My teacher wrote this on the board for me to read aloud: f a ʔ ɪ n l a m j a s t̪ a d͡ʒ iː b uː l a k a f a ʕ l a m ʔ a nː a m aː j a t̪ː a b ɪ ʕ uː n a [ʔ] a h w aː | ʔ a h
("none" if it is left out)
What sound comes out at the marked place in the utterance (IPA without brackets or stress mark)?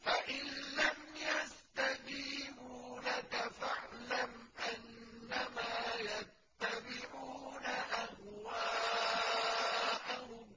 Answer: ʔ